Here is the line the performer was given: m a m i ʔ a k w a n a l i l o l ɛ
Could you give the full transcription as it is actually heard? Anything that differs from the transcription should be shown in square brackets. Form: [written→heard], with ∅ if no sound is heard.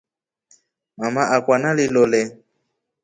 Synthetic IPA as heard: m a m [i→a] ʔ a k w a n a l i l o l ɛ